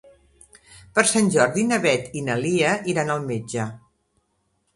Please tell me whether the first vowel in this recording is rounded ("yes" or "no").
no